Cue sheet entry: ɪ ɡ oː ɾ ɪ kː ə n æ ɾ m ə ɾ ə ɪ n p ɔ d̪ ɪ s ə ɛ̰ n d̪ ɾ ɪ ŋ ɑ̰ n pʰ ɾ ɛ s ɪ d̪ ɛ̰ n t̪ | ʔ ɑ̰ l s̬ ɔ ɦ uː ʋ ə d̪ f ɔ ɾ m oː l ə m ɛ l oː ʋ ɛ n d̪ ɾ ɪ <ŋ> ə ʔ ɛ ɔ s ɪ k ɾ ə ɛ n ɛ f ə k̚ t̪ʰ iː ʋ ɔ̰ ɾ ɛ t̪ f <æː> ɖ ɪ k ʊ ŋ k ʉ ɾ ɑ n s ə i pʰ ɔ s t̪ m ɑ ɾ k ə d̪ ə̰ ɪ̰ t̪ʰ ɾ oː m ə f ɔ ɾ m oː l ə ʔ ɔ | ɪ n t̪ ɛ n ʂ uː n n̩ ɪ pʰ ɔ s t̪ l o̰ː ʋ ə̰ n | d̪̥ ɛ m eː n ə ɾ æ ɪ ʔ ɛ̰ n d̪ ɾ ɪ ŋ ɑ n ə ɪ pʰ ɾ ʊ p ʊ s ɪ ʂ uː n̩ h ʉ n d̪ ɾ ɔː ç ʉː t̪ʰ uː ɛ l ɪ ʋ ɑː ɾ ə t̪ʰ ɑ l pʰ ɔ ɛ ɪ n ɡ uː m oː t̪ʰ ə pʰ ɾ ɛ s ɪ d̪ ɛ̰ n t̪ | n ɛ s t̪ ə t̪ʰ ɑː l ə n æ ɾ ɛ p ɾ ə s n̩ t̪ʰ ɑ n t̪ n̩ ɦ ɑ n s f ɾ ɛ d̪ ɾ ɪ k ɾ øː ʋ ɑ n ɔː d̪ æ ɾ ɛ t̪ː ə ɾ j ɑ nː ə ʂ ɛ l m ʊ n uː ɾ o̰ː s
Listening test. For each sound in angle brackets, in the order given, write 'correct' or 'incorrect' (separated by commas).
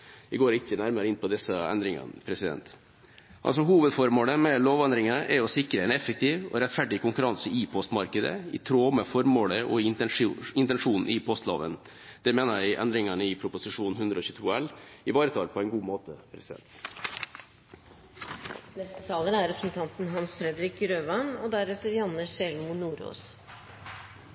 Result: correct, incorrect